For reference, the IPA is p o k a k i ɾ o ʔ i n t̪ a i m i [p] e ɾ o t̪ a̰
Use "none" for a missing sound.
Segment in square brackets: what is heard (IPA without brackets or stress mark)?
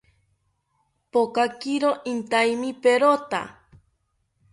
p